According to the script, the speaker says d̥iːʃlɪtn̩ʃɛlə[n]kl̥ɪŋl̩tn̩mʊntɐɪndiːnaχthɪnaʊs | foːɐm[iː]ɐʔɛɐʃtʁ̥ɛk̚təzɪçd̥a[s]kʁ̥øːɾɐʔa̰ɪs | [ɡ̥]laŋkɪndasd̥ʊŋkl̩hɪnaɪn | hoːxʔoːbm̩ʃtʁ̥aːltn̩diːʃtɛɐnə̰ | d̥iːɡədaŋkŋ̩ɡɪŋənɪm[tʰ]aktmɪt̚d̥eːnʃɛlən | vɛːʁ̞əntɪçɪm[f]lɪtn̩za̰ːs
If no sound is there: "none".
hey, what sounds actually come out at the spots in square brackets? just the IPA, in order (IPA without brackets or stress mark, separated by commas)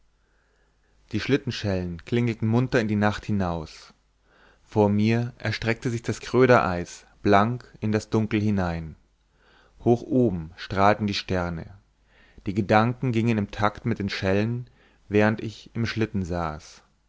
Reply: n, iː, s, b̥, tʰ, ʃ